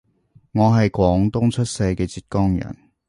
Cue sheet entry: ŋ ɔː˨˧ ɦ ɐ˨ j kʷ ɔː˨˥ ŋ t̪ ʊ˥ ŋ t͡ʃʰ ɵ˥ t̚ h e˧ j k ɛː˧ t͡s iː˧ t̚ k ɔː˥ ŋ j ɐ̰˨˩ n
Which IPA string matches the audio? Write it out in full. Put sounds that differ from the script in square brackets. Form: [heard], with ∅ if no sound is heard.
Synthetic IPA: ŋ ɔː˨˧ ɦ ɐ˨ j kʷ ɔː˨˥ ŋ t̪ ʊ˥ ŋ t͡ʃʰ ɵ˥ t̚ [s] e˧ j k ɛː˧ t͡s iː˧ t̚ k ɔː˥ ŋ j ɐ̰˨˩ n